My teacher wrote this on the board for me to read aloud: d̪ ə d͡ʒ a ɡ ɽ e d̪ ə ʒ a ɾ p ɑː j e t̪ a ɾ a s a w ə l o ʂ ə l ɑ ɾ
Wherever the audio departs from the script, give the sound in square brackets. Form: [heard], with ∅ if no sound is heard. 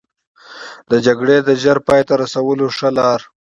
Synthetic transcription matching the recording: d̪ ə d͡ʒ a ɡ ɽ e d̪ ə ʒ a ɾ p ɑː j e t̪ a ɾ a s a w ə l o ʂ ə l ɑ ɾ